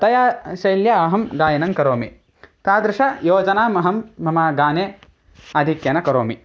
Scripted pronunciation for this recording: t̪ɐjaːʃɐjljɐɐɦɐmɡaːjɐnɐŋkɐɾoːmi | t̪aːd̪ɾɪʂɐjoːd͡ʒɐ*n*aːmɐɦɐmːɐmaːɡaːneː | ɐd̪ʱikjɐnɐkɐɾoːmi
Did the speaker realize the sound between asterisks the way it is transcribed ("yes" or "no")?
yes